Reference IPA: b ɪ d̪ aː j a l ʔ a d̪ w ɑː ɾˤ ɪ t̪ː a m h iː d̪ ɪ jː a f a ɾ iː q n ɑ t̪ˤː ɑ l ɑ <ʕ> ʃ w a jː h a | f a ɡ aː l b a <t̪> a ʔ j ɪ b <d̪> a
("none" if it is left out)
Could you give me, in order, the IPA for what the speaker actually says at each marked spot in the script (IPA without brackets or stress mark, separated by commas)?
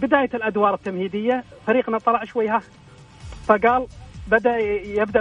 ʕ, d̪, d̪